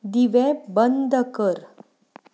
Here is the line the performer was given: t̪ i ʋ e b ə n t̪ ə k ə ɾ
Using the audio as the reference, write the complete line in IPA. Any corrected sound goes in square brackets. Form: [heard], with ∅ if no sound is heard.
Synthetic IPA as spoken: [d̪] i ʋ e b ə n [d̪] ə k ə ɾ